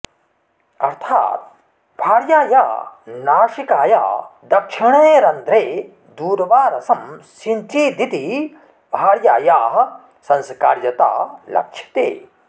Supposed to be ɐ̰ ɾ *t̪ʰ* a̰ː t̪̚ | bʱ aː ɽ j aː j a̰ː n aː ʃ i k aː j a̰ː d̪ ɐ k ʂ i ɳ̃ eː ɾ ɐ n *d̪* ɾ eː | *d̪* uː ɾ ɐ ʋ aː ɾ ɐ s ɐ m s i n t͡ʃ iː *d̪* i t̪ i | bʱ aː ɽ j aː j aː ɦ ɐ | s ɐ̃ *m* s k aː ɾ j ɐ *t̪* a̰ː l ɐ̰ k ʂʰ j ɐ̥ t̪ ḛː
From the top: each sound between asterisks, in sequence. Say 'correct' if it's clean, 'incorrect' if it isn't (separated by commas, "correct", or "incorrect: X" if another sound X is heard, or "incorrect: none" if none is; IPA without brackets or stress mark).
correct, correct, correct, correct, incorrect: n, correct